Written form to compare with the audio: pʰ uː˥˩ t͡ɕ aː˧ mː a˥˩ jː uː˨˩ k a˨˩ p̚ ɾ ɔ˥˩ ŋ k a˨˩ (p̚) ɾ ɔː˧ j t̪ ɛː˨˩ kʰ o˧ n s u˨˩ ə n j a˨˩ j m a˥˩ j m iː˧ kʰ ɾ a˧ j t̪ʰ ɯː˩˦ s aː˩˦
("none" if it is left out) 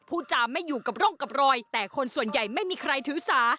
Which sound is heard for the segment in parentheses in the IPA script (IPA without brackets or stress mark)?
p̚